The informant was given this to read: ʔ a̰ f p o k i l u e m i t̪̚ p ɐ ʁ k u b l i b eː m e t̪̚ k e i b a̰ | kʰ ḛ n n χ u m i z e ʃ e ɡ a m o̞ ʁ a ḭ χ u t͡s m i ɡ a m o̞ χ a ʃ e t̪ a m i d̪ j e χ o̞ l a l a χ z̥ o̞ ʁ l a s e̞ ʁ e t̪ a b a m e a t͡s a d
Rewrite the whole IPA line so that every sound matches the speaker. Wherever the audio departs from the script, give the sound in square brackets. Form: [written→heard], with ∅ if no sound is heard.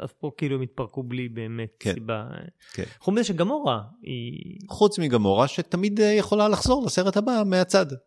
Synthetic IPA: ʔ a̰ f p o k i l u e m i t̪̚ p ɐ ʁ k u b l i b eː m e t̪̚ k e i b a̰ | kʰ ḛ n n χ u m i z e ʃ e ɡ a m o̞ ʁ a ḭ χ u t͡s m i ɡ a m o̞ [χ→ʁ] a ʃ e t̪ a m i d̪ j e χ o̞ l a l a χ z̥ o̞ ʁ l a s e̞ ʁ e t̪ a b a m e a t͡s a d